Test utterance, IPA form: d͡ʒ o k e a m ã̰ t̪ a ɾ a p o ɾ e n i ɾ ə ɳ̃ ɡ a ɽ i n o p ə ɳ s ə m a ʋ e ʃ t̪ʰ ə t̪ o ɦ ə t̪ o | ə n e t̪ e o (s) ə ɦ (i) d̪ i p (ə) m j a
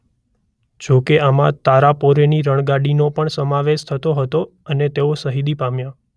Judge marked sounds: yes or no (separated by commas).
yes, yes, no